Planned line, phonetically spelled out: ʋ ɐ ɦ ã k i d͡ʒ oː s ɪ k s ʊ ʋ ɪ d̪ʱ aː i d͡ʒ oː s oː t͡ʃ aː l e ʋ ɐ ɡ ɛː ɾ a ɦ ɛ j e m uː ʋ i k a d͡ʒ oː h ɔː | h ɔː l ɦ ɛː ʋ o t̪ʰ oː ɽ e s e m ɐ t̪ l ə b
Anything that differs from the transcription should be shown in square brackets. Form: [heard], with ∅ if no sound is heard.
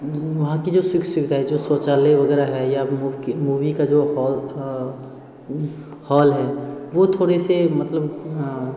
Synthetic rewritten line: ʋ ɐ ɦ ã k i d͡ʒ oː s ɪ k s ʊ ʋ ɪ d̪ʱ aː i d͡ʒ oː s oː t͡ʃ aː l e ʋ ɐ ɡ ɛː ɾ a ɦ ɛ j [a] m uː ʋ i k a d͡ʒ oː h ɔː | h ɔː l ɦ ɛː ʋ o t̪ʰ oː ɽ e s e m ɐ t̪ l ə b

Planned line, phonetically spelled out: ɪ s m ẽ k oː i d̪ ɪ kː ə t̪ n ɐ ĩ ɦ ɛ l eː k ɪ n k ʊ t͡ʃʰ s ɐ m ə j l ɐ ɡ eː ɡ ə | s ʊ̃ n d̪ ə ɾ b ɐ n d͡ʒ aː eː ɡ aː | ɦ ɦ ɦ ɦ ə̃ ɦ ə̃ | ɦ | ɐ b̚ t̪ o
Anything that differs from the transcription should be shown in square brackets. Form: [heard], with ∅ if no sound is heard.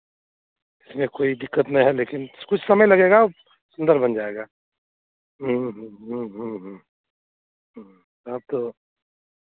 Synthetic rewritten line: ɪ s m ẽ k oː i d̪ ɪ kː ə t̪ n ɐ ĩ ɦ ɛ l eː k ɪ n k ʊ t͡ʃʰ s ɐ m ə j l ɐ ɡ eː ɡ [a] | s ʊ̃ n d̪ ə ɾ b ɐ n d͡ʒ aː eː ɡ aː | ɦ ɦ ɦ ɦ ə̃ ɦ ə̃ | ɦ | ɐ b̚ t̪ o

